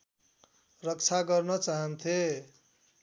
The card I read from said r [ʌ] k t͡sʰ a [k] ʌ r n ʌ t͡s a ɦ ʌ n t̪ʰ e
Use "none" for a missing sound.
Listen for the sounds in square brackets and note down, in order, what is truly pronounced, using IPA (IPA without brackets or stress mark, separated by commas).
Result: ʌ, ɡ